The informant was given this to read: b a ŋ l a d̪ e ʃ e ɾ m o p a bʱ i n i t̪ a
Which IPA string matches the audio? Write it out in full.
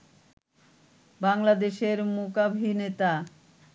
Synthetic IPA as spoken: b a ŋ l a d̪ e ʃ e ɾ m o k a bʱ i n e t̪ a